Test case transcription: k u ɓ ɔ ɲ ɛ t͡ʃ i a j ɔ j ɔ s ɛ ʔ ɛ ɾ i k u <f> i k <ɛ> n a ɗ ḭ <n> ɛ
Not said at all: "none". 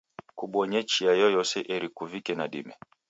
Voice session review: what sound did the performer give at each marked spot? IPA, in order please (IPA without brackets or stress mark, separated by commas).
v, ɛ, m